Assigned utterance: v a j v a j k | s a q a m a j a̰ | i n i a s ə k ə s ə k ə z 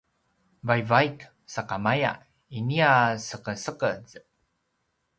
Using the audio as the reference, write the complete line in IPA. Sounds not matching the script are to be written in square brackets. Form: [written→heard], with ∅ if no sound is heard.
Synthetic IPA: v a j v a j k | s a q a m a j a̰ | i n i a s ə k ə s ə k ə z

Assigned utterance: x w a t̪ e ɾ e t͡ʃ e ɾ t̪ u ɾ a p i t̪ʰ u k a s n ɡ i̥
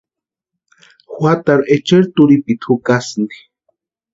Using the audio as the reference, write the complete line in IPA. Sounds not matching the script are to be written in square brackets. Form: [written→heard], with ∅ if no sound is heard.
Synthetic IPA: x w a t̪ [e→a] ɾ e t͡ʃ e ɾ t̪ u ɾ [a→i] p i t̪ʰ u k a s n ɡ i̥

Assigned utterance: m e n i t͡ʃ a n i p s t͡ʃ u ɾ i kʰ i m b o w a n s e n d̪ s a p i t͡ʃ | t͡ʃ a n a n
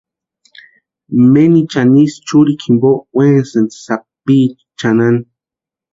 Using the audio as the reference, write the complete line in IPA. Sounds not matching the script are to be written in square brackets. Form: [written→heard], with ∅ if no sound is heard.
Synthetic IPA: m e n i t͡ʃ a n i [p→∅] s t͡ʃ u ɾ i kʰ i m b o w [a→e] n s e n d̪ s a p i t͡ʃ | t͡ʃ a n a n

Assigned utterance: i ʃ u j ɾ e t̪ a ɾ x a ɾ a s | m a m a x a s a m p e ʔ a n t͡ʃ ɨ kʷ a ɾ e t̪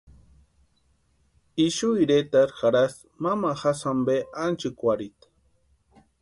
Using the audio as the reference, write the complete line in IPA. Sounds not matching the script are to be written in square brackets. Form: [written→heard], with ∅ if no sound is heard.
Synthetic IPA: i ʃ u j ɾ e t̪ a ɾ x a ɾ a s | m a m a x a s a m [p→b] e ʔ a n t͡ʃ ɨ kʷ a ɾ [e→i] t̪

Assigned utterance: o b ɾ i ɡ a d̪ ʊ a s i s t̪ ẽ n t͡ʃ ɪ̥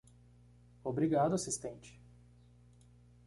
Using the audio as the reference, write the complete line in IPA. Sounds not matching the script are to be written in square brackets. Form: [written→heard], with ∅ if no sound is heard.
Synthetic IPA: o b ɾ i ɡ a d̪ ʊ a s i s t̪ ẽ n t͡ʃ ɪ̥

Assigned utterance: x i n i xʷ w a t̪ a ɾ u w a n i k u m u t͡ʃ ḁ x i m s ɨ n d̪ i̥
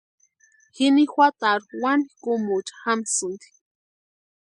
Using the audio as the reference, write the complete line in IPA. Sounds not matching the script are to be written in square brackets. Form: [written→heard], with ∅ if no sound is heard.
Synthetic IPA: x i n i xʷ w a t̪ a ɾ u w a n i k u m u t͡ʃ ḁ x [i→a] m s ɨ n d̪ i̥

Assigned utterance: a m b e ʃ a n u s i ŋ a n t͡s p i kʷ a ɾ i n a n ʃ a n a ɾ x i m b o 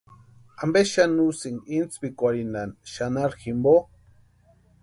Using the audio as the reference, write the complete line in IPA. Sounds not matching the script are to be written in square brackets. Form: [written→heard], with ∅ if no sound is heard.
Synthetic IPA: a m b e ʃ a n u s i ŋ [a→i] n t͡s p i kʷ a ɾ i n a n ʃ a n a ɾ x i m b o

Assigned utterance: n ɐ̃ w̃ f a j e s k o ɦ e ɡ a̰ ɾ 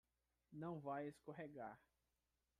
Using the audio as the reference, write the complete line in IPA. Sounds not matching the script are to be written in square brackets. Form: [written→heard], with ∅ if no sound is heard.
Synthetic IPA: n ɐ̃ w̃ [f→v] a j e s k o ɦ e ɡ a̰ ɾ

